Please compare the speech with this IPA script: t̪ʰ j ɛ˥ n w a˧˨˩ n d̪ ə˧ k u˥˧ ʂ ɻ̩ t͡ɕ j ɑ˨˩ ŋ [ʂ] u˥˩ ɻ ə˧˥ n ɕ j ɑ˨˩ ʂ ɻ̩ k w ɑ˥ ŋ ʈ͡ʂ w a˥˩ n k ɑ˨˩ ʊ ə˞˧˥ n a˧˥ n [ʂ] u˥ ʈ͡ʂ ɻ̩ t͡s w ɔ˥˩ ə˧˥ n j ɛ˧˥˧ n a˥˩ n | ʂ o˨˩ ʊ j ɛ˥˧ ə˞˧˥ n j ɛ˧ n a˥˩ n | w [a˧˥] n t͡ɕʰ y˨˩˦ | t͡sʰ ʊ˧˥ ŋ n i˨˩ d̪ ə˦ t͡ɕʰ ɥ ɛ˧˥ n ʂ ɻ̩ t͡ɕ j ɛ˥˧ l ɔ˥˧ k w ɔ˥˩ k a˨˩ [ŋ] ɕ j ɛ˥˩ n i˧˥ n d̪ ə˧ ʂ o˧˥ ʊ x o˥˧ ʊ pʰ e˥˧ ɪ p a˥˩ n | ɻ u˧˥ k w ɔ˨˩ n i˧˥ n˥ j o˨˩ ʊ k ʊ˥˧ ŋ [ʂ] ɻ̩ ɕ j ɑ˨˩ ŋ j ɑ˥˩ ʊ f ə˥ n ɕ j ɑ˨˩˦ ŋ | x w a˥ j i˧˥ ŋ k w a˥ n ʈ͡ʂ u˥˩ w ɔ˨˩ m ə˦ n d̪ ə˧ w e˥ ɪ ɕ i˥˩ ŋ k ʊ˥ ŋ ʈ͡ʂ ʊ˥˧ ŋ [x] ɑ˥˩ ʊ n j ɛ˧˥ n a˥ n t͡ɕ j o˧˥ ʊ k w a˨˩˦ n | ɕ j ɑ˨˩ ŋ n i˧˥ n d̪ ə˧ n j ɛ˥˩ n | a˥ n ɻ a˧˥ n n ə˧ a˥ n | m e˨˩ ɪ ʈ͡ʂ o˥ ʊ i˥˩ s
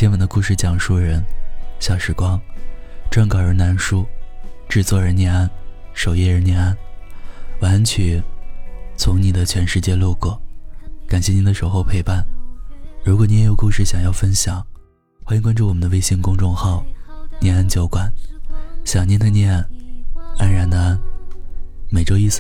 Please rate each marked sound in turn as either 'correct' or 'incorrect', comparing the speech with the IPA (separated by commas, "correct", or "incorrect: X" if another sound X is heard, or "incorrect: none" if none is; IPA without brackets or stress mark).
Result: correct, correct, correct, incorrect: n, correct, correct